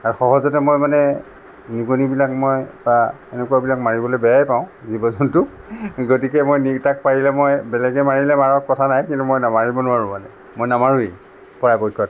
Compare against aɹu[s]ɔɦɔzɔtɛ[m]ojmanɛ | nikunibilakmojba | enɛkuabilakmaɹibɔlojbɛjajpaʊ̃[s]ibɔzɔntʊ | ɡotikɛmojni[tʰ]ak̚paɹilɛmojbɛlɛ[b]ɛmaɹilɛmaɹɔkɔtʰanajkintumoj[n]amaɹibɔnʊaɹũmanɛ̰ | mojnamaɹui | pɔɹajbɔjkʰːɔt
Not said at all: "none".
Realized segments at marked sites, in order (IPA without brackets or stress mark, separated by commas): x, m, z, t, ɡ, n